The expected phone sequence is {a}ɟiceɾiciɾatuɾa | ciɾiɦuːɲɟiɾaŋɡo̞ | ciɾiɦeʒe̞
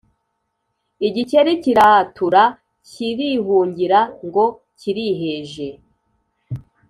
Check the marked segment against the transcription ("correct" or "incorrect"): incorrect